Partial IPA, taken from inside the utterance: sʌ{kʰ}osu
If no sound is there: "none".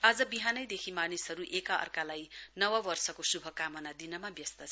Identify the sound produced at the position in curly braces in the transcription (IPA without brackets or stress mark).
k